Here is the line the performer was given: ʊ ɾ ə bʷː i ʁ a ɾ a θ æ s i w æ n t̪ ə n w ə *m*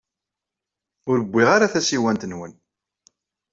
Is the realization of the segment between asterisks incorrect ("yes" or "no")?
yes